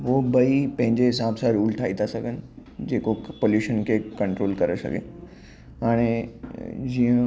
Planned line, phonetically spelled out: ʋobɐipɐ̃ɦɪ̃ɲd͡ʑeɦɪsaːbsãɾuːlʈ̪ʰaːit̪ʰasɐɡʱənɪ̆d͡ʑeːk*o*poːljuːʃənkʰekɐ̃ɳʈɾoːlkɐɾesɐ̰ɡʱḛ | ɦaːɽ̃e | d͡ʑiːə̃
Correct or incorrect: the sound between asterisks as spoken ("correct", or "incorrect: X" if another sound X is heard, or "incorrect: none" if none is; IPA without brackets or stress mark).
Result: correct